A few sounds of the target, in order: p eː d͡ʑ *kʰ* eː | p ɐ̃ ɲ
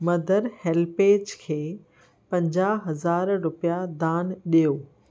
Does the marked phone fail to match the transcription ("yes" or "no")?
no